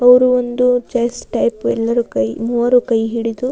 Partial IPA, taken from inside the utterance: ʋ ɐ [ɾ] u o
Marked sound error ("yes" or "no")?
no